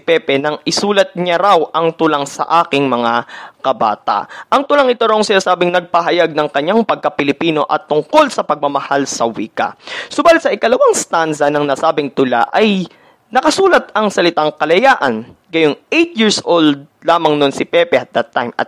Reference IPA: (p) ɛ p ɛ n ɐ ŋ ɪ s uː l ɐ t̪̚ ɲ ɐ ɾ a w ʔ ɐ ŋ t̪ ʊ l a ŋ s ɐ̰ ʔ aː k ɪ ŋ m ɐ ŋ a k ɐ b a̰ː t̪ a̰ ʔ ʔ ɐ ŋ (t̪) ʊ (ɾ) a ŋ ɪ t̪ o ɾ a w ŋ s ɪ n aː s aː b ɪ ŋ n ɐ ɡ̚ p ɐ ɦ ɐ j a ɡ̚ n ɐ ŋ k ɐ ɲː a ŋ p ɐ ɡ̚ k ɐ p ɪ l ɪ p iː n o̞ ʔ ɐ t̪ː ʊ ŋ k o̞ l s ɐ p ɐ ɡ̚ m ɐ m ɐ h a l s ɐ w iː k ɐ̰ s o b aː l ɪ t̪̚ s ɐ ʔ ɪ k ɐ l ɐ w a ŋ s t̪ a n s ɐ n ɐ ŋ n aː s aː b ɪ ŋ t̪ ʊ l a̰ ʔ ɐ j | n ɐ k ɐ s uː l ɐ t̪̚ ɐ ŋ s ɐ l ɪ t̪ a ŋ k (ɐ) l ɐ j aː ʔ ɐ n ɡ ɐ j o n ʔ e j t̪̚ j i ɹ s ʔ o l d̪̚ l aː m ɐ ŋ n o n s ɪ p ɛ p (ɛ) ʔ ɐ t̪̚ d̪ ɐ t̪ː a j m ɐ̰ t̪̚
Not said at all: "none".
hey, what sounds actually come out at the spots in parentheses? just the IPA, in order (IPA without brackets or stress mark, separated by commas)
p, t̪, l, ɐ, ɛ